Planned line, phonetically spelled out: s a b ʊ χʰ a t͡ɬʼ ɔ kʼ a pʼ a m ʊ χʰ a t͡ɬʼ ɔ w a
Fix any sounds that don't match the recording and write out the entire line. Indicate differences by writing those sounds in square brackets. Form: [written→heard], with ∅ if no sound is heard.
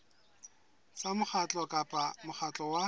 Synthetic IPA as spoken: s a [b→m] ʊ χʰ a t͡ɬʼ ɔ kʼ a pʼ a m ʊ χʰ a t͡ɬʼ ɔ w a